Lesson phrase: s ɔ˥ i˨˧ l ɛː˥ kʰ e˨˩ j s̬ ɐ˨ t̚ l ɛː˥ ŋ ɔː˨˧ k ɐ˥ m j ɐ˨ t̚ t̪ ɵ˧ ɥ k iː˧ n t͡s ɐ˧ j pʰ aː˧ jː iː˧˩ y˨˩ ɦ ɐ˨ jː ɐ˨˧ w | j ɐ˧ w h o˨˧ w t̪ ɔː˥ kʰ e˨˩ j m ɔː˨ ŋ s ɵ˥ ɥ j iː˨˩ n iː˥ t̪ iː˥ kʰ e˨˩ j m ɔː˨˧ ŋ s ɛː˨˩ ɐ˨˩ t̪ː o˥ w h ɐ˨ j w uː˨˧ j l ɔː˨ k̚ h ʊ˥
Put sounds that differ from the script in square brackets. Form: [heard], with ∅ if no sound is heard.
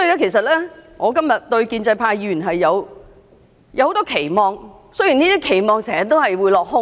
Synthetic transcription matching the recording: s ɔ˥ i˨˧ l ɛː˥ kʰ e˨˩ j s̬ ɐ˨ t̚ l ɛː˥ ŋ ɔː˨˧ k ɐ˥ m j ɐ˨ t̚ t̪ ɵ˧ ɥ k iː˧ n t͡s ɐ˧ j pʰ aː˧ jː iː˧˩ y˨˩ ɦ ɐ˨ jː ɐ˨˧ w | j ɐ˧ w h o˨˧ w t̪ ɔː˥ kʰ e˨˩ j m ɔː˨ ŋ s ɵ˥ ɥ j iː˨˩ n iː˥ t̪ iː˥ kʰ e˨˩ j m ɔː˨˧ ŋ s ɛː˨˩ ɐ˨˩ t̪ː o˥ w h ɐ˨ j w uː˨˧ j l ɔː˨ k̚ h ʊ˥